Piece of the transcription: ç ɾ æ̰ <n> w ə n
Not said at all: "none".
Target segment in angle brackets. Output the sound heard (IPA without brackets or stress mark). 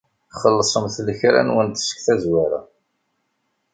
n